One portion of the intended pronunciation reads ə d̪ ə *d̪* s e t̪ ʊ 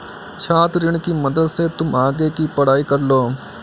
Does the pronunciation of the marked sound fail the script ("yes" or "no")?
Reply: no